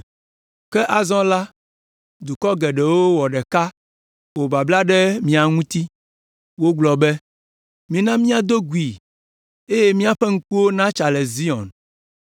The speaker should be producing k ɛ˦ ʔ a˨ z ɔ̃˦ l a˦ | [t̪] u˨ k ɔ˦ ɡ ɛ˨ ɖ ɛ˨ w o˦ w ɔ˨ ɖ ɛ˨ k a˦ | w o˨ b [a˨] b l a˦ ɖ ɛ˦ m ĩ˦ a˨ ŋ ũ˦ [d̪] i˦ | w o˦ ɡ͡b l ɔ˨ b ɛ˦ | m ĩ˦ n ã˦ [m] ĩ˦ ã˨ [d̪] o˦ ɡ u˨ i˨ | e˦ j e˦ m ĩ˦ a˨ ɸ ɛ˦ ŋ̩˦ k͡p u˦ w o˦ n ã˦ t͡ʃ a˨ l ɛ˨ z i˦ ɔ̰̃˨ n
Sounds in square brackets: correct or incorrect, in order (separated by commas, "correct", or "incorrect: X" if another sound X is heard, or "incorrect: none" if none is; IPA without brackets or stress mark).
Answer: incorrect: d̪, correct, incorrect: t̪, correct, correct